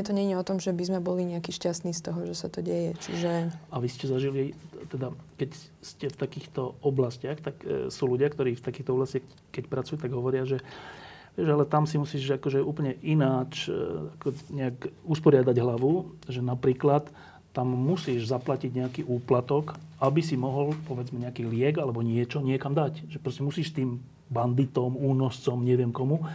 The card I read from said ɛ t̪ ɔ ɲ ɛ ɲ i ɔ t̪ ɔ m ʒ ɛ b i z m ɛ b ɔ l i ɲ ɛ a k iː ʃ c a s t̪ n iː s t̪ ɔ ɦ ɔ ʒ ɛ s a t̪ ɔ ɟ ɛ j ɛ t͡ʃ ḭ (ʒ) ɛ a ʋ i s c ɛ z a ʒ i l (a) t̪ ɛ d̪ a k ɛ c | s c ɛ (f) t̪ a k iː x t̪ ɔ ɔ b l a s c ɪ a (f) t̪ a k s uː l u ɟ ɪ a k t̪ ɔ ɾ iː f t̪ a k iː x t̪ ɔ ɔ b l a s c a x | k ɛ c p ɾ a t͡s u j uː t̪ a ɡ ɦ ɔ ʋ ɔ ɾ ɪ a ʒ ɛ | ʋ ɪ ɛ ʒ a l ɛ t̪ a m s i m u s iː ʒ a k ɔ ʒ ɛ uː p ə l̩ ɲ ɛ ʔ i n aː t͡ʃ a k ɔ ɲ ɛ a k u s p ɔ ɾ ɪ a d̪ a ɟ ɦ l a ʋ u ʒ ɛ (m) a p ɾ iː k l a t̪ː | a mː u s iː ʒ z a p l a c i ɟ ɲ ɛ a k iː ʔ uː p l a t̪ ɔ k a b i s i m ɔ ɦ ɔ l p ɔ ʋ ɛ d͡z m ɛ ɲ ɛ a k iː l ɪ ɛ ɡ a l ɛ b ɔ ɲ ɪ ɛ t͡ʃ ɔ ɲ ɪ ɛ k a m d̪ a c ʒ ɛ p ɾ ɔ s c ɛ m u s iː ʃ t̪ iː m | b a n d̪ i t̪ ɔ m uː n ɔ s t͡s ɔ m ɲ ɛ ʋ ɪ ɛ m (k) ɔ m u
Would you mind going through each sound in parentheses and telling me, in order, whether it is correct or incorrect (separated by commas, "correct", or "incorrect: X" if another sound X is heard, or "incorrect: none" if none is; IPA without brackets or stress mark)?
correct, incorrect: i, correct, incorrect: x, incorrect: n, correct